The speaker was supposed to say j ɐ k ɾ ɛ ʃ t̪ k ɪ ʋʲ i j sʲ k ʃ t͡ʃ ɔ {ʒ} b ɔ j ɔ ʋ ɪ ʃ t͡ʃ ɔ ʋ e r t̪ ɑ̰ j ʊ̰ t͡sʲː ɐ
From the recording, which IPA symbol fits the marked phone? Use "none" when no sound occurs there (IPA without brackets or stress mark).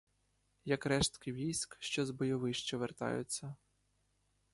z